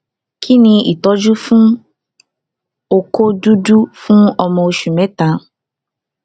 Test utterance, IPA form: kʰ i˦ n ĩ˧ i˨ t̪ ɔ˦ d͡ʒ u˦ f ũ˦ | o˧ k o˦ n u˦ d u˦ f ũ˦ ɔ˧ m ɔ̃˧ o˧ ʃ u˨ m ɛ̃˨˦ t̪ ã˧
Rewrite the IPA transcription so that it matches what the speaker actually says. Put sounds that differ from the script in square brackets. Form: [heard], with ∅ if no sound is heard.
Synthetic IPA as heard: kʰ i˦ n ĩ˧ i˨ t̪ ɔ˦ d͡ʒ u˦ f ũ˦ | o˧ k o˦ [d] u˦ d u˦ f ũ˦ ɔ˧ m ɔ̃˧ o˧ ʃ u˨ m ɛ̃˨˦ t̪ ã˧